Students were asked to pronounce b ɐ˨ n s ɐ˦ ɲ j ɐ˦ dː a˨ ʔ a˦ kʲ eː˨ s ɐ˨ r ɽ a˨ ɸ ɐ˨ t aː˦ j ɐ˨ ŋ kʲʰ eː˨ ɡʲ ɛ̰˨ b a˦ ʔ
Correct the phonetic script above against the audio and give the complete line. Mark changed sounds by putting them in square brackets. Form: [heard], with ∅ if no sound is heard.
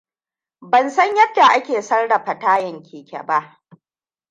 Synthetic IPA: b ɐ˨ n s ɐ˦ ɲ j ɐ˦ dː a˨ ʔ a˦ kʲ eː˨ s [ɐ˦] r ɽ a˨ ɸ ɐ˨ t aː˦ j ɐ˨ ŋ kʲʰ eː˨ [kʲ] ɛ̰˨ b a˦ ʔ